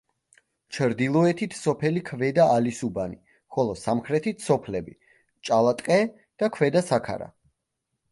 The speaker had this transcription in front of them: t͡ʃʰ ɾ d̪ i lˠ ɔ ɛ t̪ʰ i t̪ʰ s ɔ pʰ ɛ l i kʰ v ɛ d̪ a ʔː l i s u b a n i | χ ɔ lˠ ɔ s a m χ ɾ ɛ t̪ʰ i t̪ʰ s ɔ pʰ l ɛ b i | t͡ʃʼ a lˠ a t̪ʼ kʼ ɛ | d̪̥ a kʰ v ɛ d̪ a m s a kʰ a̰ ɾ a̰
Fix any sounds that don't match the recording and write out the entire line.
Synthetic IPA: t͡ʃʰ ɾ d̪ i lˠ ɔ ɛ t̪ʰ i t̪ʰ s ɔ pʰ ɛ l i kʰ v ɛ d̪ a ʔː l i s u b a n i | χ ɔ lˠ ɔ s a m χ ɾ ɛ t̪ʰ i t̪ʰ s ɔ pʰ l ɛ b i | t͡ʃʼ a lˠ a t̪ʼ qʼ ɛ | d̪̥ a kʰ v ɛ d̪ a s a kʰ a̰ ɾ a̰